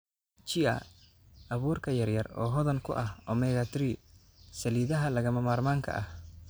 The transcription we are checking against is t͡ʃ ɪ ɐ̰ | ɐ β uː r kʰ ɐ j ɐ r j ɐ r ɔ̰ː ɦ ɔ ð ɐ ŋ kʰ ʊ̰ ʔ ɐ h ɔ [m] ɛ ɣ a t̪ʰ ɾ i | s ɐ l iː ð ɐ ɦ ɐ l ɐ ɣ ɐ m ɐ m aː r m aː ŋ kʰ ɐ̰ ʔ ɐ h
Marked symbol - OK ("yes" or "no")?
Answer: yes